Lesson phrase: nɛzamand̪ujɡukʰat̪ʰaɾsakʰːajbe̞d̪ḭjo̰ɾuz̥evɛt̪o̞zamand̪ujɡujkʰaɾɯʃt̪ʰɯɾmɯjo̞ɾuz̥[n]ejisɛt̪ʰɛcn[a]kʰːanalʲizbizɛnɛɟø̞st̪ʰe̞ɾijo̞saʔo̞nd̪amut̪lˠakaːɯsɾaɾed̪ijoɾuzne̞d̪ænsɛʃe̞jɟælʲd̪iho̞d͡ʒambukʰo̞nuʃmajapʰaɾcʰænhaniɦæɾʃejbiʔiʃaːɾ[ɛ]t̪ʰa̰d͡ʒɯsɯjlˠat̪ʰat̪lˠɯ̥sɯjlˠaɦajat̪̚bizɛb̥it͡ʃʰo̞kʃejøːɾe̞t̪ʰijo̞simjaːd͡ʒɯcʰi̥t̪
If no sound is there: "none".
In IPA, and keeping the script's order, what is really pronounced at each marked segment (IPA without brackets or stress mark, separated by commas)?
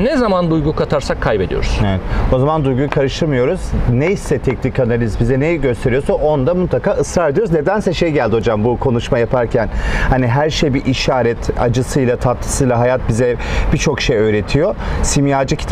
n, i, ɛ